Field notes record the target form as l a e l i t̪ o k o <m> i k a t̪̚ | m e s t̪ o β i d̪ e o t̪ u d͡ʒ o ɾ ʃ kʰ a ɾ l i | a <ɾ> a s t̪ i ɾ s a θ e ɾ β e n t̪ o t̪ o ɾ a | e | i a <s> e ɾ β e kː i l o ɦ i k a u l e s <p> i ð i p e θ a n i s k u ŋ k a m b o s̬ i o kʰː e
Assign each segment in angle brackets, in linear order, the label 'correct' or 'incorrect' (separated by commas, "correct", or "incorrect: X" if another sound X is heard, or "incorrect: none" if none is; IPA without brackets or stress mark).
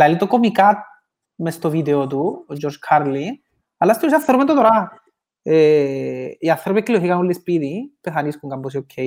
correct, incorrect: l, incorrect: θ, correct